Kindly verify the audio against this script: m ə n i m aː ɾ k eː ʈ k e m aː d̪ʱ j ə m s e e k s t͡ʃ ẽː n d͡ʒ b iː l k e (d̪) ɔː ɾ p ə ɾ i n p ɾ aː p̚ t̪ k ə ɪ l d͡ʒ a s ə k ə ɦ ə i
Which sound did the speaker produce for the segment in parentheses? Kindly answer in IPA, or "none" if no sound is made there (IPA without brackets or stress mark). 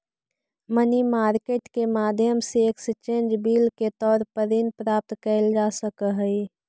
t̪